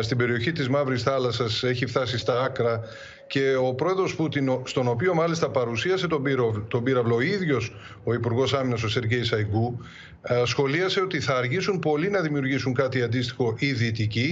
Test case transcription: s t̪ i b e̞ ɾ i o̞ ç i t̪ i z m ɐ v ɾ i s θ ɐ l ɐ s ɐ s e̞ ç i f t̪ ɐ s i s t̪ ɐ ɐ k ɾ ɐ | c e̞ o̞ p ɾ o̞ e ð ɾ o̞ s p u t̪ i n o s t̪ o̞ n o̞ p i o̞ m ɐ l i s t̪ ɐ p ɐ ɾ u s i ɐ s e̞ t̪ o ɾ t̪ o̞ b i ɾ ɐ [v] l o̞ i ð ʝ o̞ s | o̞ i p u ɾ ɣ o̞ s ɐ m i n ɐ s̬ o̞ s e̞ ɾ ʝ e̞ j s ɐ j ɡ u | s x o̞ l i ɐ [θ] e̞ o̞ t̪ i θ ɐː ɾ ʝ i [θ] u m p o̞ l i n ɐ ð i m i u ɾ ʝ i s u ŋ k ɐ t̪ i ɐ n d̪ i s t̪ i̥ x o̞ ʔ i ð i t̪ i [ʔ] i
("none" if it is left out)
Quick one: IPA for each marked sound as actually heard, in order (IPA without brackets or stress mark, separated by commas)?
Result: v, s, s, c